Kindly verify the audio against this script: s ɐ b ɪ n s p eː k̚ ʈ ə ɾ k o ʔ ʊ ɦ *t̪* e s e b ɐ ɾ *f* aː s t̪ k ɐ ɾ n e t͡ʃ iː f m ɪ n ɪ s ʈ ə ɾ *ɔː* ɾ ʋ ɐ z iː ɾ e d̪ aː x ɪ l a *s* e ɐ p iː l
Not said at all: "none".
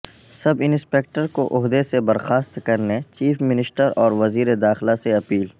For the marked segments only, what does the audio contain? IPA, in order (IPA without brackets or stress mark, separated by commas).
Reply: d̪, x, ɔː, s